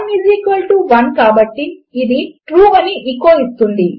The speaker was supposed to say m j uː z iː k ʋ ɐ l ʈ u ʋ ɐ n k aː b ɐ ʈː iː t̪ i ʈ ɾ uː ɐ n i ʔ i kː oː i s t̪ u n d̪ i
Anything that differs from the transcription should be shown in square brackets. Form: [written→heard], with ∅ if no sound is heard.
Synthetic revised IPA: m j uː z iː k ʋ ɐ l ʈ u ʋ ɐ n k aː b ɐ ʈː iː [t̪→d̪] i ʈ ɾ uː ɐ n i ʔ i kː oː i s t̪ u n d̪ i